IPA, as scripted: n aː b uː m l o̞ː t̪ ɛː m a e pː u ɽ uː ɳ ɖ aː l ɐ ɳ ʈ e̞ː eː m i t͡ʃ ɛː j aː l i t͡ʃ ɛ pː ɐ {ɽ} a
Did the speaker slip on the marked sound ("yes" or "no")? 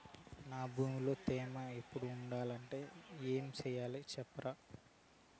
yes